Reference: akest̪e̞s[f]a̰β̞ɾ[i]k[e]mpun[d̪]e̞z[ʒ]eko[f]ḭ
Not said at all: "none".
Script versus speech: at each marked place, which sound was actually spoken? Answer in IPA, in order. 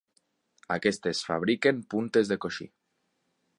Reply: f, i, e, t̪, ð, ʃ

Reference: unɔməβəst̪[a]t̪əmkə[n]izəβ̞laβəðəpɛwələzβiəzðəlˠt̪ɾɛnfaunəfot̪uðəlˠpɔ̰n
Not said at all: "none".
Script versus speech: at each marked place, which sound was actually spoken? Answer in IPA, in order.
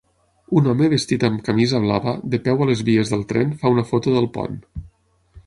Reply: i, m

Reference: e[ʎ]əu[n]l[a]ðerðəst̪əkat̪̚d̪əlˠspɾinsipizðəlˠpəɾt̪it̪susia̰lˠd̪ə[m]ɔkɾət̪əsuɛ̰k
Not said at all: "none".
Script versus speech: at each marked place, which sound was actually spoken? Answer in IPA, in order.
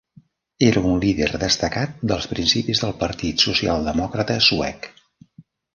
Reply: ɾ, n, i, m

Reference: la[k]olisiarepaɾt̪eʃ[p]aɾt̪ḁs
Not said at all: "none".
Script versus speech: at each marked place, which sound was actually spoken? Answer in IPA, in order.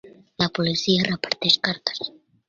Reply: p, k

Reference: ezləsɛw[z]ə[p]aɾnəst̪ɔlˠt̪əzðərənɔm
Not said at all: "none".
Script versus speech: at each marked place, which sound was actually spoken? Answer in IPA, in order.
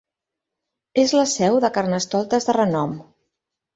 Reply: ð, k

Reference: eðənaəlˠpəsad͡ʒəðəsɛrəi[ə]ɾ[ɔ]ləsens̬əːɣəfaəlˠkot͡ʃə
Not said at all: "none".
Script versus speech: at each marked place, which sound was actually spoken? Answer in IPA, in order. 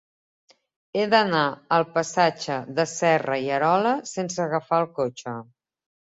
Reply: ə, ɔ

